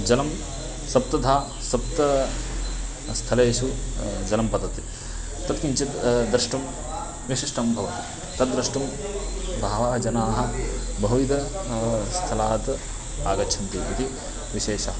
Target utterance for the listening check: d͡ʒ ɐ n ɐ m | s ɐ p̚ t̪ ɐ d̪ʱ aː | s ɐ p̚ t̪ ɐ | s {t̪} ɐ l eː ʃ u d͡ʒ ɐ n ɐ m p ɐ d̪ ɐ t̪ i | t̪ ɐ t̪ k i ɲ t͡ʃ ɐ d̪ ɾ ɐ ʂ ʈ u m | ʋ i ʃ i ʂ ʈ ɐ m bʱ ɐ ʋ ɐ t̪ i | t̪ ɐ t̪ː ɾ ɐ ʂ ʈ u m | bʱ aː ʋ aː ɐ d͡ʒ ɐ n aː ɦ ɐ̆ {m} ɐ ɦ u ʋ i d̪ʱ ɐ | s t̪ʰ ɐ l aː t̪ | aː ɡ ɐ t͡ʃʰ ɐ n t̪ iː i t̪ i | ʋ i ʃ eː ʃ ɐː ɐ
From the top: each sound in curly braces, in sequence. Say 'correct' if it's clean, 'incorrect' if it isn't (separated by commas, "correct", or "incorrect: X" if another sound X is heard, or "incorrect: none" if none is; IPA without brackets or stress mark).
incorrect: t̪ʰ, incorrect: b